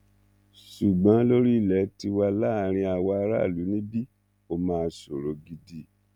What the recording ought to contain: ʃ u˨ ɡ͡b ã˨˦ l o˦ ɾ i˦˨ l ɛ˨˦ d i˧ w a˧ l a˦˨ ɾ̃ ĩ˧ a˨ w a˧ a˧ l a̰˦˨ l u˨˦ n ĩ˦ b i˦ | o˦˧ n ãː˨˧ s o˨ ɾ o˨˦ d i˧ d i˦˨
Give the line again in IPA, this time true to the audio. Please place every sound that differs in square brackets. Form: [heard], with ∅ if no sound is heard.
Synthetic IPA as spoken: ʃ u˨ ɡ͡b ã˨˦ l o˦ ɾ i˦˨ l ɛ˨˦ [t] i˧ w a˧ l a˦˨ ɾ̃ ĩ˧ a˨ w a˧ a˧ [ɾ] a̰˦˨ l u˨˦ n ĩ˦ b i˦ | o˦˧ [m] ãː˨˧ s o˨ ɾ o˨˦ [ɡ] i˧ d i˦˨